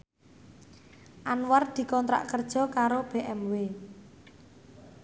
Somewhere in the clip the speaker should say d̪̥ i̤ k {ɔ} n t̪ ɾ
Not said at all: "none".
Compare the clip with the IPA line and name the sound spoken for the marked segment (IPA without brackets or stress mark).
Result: ɔ